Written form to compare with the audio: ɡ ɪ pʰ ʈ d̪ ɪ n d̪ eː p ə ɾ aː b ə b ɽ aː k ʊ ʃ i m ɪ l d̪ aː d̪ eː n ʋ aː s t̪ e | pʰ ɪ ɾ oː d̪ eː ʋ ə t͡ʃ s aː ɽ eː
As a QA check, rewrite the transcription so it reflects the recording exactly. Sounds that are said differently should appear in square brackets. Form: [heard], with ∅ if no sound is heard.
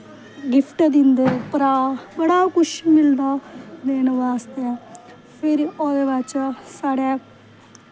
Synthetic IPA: ɡ ɪ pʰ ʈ d̪ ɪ n d̪ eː p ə ɾ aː b ə [∅] ɽ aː k ʊ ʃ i m ɪ l d̪ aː d̪ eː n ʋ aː s t̪ e | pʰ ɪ ɾ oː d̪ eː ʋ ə t͡ʃ s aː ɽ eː